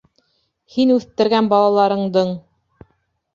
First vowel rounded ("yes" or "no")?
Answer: no